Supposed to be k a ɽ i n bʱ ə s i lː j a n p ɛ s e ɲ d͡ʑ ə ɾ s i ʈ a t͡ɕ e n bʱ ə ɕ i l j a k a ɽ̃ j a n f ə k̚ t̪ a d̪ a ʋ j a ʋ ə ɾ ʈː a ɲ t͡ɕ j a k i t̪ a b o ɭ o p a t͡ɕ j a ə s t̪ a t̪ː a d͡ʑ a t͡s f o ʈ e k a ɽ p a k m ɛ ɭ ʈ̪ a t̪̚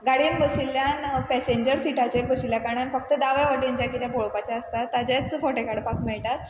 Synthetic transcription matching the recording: ɡ a ɽ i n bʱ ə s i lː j a n p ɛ s e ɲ d͡ʑ ə ɾ s i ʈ a t͡ɕ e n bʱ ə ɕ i l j a k a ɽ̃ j a n f ə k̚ t̪ ə d̪ a ʋ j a ʋ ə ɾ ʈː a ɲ t͡ɕ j a k i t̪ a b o ɭ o p a t͡ɕ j a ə s t̪ a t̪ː a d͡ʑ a t͡s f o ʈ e k a ɽ p a k m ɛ ɭ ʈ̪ a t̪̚